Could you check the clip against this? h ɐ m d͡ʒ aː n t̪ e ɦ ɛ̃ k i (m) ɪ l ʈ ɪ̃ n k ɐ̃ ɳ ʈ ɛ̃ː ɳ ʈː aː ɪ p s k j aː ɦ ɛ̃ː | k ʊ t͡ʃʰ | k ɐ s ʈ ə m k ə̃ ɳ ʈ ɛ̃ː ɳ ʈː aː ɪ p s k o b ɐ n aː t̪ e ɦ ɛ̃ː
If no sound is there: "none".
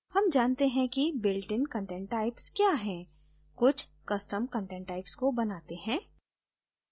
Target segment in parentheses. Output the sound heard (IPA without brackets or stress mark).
b